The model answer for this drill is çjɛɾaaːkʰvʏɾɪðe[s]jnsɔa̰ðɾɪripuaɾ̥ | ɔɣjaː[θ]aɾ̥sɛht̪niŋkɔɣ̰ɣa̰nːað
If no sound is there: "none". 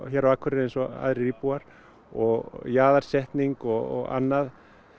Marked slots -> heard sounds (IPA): none, ð

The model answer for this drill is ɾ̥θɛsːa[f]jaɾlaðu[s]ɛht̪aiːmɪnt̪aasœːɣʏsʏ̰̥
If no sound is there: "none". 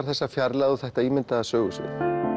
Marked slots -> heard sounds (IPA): f, θ

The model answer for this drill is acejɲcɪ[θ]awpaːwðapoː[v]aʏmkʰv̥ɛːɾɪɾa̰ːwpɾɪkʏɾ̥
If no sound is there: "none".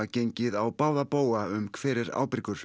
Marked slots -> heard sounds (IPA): ð, w

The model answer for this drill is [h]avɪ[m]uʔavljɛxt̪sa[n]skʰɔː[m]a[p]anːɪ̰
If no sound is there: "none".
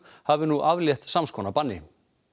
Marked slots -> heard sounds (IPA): h, n, m, n, p

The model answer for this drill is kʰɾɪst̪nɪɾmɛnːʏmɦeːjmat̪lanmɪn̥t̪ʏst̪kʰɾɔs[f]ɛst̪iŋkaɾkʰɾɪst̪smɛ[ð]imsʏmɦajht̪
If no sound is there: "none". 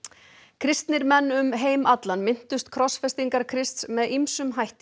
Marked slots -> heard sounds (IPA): f, ð

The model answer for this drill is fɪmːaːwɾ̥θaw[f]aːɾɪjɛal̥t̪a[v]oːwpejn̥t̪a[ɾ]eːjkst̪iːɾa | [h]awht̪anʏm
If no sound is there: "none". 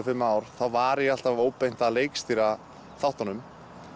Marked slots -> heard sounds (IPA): v, v, l, θ

